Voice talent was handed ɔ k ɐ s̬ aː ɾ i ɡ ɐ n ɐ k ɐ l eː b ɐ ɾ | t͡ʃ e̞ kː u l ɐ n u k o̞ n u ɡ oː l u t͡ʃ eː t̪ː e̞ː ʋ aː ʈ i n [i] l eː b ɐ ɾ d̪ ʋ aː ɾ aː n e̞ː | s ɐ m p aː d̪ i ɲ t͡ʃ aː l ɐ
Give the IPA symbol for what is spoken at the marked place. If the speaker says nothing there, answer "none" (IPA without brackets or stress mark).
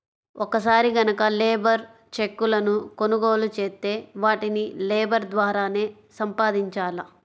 i